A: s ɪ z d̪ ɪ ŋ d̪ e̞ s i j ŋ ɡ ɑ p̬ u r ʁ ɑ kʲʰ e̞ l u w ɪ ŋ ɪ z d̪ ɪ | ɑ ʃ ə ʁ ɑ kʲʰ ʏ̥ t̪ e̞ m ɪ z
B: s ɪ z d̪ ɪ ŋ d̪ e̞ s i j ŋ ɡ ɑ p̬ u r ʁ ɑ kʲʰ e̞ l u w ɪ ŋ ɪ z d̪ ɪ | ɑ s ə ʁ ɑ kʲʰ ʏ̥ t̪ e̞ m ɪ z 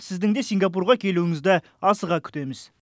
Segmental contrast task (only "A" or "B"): B